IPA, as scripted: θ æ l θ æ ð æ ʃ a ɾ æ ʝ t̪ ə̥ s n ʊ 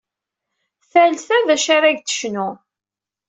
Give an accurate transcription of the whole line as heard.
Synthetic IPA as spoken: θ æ l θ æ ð æ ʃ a ɾ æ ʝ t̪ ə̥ ʃ n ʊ